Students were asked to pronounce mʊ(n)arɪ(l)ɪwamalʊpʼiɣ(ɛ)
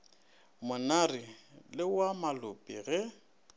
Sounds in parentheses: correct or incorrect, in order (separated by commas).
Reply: correct, correct, correct